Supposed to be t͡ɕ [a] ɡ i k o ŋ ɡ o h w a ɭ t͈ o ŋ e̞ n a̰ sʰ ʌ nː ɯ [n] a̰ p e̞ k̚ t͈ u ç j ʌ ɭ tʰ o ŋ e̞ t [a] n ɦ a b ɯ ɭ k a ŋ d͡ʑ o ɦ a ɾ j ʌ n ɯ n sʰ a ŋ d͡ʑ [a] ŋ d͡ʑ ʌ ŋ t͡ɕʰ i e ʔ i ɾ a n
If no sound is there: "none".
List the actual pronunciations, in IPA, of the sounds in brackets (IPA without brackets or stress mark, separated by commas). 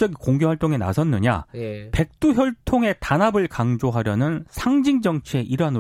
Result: ʌ, ɲ, a, i